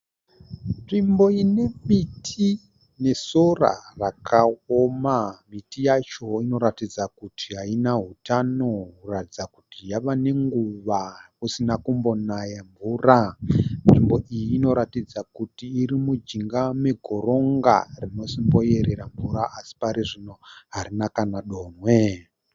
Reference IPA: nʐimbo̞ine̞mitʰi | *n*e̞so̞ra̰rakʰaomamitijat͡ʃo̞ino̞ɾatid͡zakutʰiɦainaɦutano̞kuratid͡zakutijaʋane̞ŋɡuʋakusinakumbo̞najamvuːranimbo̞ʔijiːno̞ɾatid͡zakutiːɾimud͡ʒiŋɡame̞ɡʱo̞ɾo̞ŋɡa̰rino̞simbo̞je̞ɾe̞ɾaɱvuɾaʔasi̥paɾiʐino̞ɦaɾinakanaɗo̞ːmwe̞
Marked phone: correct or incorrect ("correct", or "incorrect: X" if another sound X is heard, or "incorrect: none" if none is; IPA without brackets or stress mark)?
correct